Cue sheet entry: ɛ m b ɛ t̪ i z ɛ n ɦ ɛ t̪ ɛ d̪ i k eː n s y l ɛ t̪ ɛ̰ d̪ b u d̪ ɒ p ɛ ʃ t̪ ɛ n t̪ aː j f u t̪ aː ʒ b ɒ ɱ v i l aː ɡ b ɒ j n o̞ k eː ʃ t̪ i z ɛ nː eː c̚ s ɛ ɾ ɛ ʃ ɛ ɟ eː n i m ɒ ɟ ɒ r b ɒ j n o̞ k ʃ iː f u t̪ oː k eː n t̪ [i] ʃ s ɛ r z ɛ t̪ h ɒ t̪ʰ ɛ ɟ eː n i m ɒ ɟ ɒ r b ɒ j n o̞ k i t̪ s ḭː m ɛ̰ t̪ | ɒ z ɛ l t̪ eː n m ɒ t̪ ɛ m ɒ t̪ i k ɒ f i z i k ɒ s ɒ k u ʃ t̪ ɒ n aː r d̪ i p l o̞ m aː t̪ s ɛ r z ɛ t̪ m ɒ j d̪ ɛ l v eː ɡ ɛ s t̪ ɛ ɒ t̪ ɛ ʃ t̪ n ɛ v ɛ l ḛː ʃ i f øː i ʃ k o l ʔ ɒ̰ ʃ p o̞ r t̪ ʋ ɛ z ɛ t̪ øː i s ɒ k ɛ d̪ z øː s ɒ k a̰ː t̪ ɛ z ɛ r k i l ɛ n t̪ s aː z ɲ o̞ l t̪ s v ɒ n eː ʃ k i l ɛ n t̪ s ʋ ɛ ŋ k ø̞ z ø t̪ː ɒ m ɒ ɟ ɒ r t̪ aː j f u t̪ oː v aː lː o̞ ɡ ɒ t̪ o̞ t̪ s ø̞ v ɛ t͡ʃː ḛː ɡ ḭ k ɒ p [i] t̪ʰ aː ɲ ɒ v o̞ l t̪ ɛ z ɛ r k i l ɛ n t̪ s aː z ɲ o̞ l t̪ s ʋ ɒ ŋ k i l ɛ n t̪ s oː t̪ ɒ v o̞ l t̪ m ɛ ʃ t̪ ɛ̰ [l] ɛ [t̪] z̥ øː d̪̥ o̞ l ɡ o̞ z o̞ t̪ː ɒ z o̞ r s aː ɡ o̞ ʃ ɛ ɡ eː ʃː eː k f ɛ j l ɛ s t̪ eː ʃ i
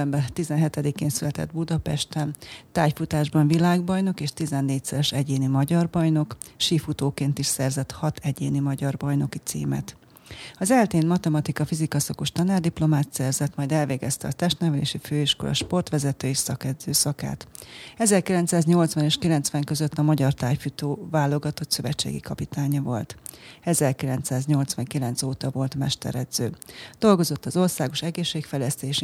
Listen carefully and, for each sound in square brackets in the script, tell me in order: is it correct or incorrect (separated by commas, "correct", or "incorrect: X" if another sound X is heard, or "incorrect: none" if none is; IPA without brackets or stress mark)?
correct, correct, incorrect: ɾ, incorrect: d̪